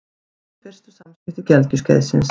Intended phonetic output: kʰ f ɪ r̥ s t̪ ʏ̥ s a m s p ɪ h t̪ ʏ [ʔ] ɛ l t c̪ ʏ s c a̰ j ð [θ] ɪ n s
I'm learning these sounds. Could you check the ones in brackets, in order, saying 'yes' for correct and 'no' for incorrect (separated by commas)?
no, no